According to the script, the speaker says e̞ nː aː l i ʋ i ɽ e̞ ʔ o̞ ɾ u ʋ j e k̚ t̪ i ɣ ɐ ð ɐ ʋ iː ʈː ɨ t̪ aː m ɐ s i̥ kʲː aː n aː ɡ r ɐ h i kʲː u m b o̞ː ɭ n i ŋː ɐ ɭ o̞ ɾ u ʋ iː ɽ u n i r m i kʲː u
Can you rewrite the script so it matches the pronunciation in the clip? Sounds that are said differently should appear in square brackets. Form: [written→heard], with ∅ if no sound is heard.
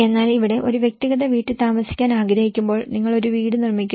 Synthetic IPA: e̞ nː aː l i ʋ i ɽ e̞ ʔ o̞ ɾ u ʋ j e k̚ t̪ i ɣ ɐ ð ɐ ʋ iː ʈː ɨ t̪ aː m ɐ s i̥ kʲː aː n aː ɡ [r→ɾ] ɐ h i kʲː u m b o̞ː ɭ n i ŋː ɐ ɭ o̞ ɾ u ʋ iː ɽ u n i r m i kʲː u